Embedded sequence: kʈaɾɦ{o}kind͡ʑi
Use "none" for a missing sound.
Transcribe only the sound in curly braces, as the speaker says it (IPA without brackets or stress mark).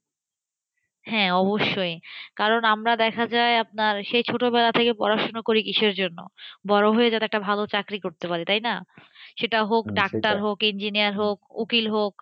o